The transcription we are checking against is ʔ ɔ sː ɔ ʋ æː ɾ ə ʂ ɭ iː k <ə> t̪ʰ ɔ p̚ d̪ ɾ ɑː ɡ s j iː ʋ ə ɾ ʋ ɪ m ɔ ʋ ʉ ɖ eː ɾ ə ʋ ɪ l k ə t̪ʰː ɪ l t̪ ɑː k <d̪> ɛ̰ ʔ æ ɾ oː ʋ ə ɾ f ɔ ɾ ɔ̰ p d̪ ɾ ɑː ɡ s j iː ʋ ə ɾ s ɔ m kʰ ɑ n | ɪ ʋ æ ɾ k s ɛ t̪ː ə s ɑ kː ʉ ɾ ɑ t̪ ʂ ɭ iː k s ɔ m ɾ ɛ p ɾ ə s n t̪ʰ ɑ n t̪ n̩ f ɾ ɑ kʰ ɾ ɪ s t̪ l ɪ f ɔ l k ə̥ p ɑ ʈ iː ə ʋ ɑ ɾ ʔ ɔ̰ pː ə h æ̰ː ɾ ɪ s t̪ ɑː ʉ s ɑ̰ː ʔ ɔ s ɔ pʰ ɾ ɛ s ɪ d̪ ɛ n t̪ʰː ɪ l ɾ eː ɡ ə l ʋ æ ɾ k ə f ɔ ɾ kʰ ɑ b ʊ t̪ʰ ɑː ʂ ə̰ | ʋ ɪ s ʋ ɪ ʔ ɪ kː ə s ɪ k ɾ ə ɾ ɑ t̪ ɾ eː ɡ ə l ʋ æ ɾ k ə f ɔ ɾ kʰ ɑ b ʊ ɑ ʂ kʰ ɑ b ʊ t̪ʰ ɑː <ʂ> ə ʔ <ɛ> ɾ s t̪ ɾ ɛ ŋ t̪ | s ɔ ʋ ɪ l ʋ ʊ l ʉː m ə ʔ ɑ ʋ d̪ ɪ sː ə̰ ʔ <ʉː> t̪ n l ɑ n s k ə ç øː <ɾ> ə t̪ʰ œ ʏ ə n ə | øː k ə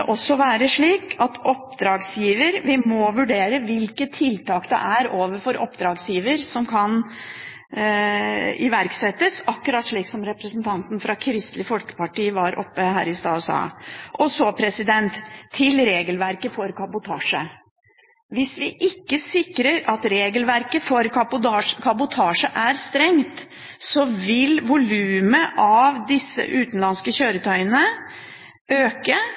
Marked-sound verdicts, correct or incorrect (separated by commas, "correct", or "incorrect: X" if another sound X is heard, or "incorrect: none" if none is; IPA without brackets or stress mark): incorrect: ɑ, correct, correct, incorrect: æ, correct, correct